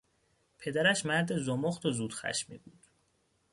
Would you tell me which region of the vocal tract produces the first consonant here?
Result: lips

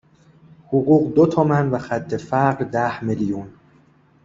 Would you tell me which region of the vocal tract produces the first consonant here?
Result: throat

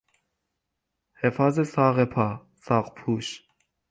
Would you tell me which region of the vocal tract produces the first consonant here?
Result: throat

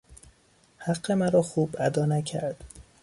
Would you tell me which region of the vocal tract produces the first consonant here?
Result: throat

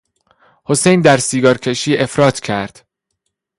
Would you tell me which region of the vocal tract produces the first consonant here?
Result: throat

